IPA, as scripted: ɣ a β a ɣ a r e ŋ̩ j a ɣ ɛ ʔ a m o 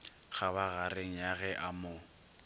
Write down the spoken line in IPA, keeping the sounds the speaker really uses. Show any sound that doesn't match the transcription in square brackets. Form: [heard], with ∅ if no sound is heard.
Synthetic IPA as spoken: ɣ a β a ɣ a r e ŋ̩ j a ɣ ɛ ʔ a m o